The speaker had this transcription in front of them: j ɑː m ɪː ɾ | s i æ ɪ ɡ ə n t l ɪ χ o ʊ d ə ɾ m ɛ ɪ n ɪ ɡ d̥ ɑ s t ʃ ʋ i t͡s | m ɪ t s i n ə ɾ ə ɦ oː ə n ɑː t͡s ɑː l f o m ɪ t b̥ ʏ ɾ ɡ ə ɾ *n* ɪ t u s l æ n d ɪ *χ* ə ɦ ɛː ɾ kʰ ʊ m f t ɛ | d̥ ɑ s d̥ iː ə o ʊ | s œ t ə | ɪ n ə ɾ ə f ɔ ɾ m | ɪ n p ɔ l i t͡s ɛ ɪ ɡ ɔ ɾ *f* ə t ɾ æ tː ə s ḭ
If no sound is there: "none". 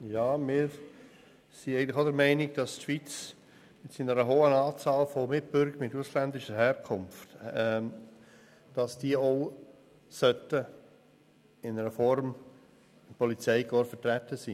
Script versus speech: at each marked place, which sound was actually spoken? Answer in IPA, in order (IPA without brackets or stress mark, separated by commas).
m, ʃ, f